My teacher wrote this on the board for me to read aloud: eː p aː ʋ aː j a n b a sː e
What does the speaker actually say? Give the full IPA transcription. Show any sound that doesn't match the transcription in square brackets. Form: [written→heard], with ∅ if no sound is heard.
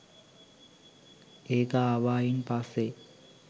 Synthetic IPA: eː [p→k] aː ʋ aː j [a→i] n [b→p] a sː e